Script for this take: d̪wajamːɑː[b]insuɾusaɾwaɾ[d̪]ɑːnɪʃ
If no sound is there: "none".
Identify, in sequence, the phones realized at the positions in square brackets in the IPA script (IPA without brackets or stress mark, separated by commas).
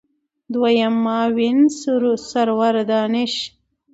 w, d̪